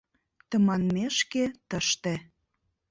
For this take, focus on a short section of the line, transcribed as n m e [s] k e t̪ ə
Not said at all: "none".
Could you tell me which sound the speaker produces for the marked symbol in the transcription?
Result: ʃ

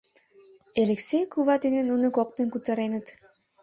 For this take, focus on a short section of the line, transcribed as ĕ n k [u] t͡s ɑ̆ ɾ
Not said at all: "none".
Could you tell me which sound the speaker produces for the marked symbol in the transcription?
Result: u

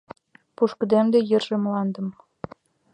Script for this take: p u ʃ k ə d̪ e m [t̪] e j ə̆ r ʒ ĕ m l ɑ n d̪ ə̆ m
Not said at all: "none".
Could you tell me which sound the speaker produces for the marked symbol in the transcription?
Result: d̪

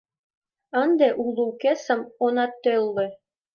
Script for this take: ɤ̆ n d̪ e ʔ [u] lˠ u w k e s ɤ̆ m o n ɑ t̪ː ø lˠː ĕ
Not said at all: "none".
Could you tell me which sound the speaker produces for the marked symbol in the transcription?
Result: u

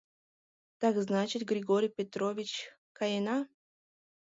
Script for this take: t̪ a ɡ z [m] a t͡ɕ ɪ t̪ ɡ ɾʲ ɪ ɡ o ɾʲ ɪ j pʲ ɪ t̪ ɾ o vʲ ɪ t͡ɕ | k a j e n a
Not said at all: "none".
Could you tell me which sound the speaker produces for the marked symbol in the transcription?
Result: n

